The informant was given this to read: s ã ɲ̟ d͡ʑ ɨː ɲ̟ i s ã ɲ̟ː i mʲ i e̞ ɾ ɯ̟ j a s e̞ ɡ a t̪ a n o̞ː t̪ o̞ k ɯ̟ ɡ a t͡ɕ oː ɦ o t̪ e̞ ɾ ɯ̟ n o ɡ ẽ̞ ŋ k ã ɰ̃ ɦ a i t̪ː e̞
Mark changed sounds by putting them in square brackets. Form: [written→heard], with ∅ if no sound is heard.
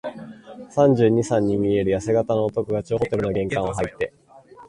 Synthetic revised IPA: s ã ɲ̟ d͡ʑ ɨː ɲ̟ i s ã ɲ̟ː i mʲ i e̞ ɾ ɯ̟ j a s e̞ ɡ a t̪ a n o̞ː t̪ o̞ k ɯ̟ ɡ a t͡ɕ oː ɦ o t̪ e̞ ɾ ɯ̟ n o ɡ ẽ̞ ŋ k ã ɰ̃ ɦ a i t̪ː e̞

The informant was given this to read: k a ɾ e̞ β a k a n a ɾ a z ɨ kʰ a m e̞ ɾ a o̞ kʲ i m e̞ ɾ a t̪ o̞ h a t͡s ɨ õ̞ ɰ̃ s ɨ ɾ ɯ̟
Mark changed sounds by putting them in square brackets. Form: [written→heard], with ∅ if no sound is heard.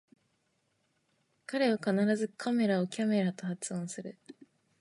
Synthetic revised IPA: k a ɾ e̞ β a k a n a ɾ a z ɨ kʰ a m e̞ ɾ a o̞ kʲ [i→a] m e̞ ɾ a t̪ o̞ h a t͡s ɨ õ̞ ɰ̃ s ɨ ɾ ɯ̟

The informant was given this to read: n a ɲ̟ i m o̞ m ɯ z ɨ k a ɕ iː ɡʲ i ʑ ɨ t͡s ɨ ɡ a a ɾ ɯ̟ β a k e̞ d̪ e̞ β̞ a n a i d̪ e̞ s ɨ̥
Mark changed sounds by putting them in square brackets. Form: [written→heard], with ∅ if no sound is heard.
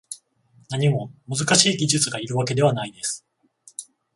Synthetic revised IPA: n a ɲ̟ i m o̞ m ɯ z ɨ k a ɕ iː ɡʲ i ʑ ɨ t͡s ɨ ɡ a [a→i] ɾ ɯ̟ β a k e̞ d̪ e̞ β̞ a n a i d̪ e̞ s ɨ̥

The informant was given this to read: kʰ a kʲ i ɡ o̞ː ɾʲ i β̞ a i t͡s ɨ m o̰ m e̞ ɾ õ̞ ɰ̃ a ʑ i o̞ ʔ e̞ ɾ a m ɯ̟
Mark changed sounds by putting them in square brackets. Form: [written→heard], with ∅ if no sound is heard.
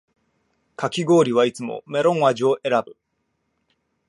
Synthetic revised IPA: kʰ a kʲ i ɡ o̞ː ɾʲ i β̞ a i t͡s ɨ m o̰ m e̞ ɾ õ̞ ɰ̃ a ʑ i o̞ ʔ e̞ ɾ a [m→b] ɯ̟

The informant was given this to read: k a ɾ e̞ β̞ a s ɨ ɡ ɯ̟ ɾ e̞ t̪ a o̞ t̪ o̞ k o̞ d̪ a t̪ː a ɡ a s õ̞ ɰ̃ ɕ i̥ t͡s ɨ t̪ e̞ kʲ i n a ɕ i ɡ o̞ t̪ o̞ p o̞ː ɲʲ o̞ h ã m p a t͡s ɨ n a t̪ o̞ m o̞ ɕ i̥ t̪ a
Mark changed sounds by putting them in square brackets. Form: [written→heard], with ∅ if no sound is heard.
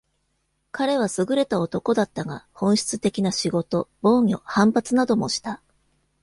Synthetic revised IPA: k a ɾ e̞ β̞ a s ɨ ɡ ɯ̟ ɾ e̞ t̪ a o̞ t̪ o̞ k o̞ d̪ a t̪ː a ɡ a [s→h] õ̞ ɰ̃ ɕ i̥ t͡s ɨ t̪ e̞ kʲ i n a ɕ i ɡ o̞ t̪ o̞ [p→b] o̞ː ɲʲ o̞ h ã m p a t͡s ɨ n a [t̪→d̪] o̞ m o̞ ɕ i̥ t̪ a

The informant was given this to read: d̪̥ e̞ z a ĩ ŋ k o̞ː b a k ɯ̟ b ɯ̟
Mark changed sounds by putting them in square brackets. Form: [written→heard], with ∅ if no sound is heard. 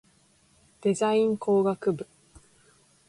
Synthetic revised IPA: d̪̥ e̞ z a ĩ ŋ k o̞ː [b→ɡ] a k ɯ̟ b ɯ̟

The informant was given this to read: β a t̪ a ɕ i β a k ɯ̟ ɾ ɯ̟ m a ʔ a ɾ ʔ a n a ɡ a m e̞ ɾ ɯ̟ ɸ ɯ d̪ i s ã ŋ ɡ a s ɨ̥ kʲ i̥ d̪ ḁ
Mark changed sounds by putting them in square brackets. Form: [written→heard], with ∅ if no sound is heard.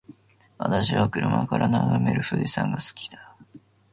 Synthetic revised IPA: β a t̪ a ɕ i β a k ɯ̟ ɾ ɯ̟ m a [ʔ→k] a ɾ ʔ a n a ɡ a m e̞ ɾ ɯ̟ ɸ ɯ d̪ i s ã ŋ ɡ a s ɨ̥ kʲ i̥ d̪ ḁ

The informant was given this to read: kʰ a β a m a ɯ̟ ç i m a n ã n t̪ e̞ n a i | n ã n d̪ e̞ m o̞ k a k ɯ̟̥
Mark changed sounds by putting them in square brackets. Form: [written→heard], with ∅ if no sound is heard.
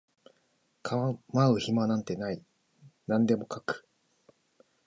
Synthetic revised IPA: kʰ a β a m a ɯ̟ ç i m a n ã n t̪ e̞ n a i | n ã n d̪ e̞ m o̞ k a k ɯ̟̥

